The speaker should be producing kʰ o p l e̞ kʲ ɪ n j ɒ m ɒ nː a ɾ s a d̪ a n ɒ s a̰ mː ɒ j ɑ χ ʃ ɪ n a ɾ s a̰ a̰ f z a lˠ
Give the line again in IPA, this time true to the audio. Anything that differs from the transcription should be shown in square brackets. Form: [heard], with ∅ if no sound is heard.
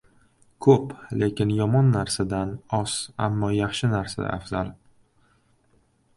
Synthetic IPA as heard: kʰ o p l e̞ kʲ ɪ n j ɒ m ɒ nː a ɾ s a d̪ a n ɒ s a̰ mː ɒ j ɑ χ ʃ ɪ n a ɾ s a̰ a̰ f z a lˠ

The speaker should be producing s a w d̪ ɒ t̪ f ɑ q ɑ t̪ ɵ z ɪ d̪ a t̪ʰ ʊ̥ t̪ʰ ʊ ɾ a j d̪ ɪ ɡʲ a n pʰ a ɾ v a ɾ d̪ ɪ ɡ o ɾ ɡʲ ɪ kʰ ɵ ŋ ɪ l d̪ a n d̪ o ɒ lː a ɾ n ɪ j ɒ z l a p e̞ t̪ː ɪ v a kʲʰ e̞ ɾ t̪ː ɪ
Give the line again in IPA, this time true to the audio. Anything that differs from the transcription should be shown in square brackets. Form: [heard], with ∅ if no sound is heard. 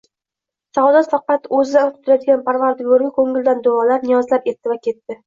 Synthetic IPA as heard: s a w d̪ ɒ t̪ f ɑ q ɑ t̪ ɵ z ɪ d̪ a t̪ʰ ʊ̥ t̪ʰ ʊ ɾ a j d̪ ɪ ɡʲ a n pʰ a ɾ v a ɾ d̪ ɪ ɡ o ɾ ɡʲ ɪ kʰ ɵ ŋ ɪ l d̪ a n d̪ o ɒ [l] a ɾ n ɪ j ɒ z l a p e̞ t̪ː ɪ v a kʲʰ e̞ [∅] t̪ː ɪ

